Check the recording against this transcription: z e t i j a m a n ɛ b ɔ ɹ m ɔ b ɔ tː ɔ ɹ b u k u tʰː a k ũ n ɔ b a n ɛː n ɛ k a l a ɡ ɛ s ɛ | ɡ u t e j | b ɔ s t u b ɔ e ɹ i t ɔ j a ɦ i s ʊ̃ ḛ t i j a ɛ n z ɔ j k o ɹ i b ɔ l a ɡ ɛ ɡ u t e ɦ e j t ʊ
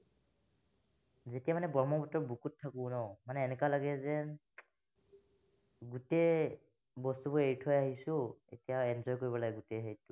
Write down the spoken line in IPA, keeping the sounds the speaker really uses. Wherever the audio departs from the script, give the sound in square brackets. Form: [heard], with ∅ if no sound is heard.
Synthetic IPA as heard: z e t i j a m a n ɛ b ɔ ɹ m ɔ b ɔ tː ɔ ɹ b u k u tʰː a k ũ n ɔ [m] a n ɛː n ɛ k a l a ɡ ɛ [z] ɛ | ɡ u t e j | b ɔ s t u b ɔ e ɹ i [tʰ] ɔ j a ɦ i s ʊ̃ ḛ t i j a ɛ n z ɔ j k o ɹ i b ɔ l a ɡ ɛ ɡ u t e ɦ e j t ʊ